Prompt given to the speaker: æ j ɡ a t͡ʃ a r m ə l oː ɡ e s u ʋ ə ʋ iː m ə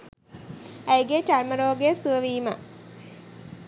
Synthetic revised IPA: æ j ɡ e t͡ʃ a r m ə ɾ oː ɡ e s u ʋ ə ʋ iː m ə